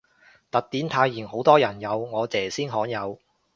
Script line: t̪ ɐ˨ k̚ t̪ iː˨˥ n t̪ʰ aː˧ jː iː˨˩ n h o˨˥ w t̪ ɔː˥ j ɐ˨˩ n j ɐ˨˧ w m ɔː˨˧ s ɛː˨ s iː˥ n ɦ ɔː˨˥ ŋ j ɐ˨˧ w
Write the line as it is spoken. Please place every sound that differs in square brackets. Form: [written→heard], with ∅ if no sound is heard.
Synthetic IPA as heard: t̪ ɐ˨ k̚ t̪ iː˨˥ n t̪ʰ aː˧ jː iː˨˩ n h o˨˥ w t̪ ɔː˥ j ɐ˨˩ n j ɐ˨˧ w [m→ŋ] ɔː˨˧ [s→t͡s] ɛː˨ s iː˥ n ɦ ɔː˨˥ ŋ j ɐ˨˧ w